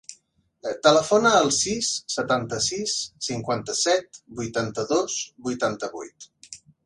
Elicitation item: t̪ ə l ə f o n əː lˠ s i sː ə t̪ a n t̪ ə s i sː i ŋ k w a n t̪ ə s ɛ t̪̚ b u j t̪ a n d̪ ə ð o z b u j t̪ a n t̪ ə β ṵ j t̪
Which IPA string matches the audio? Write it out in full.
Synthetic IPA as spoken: t̪ ə l ə f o n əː lˠ s i sː ə t̪ a n t̪ ə s i sː i ŋ k w a n t̪ ə s ɛ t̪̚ b u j t̪ a n t̪ ə ð o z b u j t̪ a n t̪ ə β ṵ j t̪